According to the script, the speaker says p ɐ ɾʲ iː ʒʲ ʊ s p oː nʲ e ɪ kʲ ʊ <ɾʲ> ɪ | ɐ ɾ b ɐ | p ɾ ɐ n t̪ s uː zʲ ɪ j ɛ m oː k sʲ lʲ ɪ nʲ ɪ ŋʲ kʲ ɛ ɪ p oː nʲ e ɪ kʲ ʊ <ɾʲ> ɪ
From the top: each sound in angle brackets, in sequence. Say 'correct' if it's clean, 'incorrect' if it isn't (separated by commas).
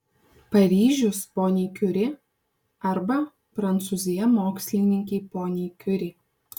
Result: correct, correct